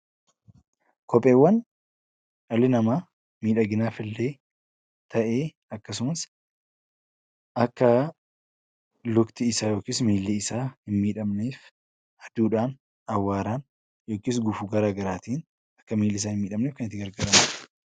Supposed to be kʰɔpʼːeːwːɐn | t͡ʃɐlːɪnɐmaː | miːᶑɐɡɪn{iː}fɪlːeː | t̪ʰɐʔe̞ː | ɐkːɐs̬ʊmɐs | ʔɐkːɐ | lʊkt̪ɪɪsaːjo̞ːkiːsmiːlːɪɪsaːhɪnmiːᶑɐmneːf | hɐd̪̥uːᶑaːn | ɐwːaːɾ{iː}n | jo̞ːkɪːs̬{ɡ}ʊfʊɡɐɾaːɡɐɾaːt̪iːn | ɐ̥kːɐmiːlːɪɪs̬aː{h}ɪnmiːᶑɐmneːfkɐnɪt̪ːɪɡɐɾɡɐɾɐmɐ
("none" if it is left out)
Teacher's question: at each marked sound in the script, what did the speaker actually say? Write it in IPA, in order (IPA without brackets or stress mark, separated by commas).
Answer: aː, aː, ɡ, h